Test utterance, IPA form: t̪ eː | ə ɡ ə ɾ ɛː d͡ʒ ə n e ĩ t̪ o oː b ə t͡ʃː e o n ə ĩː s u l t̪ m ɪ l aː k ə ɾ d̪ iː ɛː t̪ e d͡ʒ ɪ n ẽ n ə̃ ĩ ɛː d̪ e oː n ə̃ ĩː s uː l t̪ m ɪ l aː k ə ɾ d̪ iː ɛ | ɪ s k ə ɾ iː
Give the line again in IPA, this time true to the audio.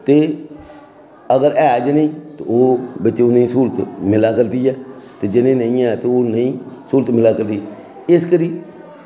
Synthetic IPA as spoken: t̪ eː | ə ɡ ə ɾ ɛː d͡ʒ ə n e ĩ t̪ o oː b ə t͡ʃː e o n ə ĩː s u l t̪ m ɪ l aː k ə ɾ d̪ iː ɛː t̪ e d͡ʒ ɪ n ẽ n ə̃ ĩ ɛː t̪ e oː n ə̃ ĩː s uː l t̪ m ɪ l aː k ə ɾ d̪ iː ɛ | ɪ s k ə ɾ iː